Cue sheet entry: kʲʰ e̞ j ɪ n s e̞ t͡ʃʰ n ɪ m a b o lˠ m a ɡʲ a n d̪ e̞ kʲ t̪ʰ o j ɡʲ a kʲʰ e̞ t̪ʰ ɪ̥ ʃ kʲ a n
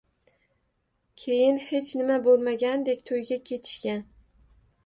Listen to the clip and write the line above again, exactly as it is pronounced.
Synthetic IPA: kʲʰ e̞ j ɪ n h e̞ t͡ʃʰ n ɪ m a b o lˠ m a ɡʲ a n d̪ e̞ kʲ t̪ʰ o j ɡʲ a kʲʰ e̞ t̪ʰ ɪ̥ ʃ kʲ a n